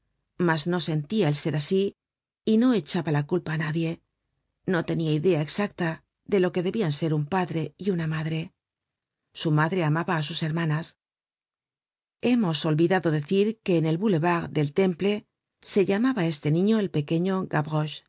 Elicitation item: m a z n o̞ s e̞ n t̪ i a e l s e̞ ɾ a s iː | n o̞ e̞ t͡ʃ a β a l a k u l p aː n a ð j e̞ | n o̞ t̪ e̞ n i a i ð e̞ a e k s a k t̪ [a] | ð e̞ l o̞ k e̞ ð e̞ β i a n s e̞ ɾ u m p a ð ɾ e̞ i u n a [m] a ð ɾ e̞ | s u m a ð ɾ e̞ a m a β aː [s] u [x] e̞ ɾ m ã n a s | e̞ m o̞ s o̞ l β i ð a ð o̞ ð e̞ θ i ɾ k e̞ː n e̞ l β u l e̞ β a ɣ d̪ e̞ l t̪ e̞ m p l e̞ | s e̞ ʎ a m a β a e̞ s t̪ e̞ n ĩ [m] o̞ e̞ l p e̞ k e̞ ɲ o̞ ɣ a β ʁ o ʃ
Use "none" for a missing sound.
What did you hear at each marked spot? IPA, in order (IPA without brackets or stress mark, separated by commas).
a, m, s, s, ɲ